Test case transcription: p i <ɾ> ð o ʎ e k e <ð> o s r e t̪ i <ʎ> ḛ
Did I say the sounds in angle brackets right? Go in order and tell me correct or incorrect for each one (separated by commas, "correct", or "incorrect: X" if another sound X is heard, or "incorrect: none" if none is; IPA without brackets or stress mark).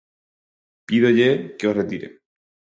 incorrect: none, incorrect: none, incorrect: ɾ